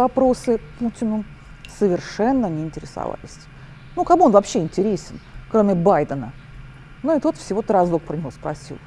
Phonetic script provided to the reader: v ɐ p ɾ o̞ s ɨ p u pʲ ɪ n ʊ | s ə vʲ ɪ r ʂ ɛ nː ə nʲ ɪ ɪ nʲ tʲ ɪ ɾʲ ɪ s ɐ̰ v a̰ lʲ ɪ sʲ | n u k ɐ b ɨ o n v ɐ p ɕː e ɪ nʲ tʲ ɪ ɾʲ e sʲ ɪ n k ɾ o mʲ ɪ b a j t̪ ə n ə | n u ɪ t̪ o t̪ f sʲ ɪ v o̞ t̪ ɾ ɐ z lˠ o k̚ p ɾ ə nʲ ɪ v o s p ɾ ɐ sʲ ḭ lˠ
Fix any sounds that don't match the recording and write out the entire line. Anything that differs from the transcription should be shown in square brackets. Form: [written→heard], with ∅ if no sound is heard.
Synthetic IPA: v ɐ p ɾ o̞ s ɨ p u [pʲ→tʲ] ɪ n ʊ | s ə vʲ ɪ r ʂ ɛ nː ə nʲ ɪ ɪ nʲ tʲ ɪ ɾʲ ɪ s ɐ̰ v a̰ lʲ ɪ sʲ | n u k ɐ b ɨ o n v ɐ p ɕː e ɪ nʲ tʲ ɪ ɾʲ e sʲ ɪ n k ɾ o mʲ ɪ b a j [t̪→d̪] ə n ə | n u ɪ t̪ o t̪ f sʲ ɪ v o̞ t̪ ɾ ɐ z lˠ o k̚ p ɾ ə nʲ ɪ v o s p ɾ ɐ sʲ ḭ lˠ